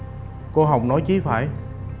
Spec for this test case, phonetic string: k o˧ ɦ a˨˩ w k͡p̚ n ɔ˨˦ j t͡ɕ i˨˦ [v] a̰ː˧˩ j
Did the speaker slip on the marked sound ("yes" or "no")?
yes